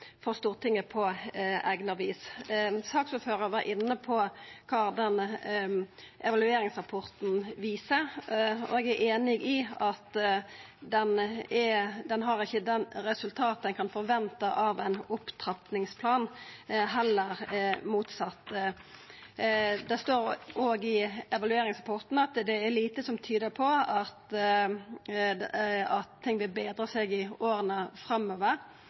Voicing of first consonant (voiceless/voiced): voiceless